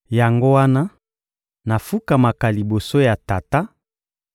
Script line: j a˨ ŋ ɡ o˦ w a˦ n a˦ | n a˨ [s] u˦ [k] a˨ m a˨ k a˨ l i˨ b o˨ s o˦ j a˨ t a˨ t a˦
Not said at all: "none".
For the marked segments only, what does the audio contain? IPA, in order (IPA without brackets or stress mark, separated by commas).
f, k